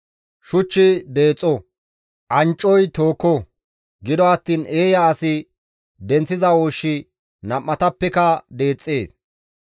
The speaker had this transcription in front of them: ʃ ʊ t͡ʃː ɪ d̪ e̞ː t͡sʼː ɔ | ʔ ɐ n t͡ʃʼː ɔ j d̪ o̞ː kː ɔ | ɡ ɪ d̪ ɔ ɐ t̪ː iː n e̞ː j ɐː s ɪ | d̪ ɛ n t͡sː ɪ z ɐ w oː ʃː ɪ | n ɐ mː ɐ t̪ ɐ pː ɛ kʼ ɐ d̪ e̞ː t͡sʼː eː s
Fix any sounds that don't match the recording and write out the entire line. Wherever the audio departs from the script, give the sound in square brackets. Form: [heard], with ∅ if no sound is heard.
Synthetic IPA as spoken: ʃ ʊ t͡ʃː ɪ d̪ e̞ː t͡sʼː ɔ | ʔ ɐ n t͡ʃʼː ɔ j [t̪] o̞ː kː ɔ | ɡ ɪ d̪ ɔ ɐ t̪ː iː n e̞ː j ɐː s ɪ | d̪ ɛ n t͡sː ɪ z ɐ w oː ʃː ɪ | n ɐ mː ɐ t̪ ɐ pː ɛ [k] ɐ d̪ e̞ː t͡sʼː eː s